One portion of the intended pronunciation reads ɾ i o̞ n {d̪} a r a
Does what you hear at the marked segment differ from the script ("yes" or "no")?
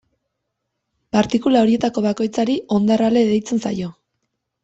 no